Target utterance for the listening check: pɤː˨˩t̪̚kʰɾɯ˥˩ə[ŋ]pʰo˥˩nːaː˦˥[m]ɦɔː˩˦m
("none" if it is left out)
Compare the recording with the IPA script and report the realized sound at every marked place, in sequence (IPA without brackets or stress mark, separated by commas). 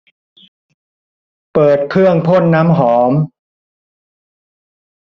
ŋ, m